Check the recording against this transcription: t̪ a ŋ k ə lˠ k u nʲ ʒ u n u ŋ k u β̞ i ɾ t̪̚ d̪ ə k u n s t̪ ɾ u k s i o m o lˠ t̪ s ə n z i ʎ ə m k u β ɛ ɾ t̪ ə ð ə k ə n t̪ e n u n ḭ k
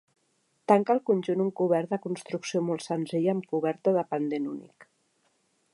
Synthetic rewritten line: t̪ a ŋ k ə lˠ k u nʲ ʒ u n u ŋ k u β̞ ɛ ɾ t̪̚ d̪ ə k u n s t̪ ɾ u k s i o m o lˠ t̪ s ə n z i ʎ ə m k u β ɛ ɾ t̪ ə ð ə p ə n d̪ e n u n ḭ k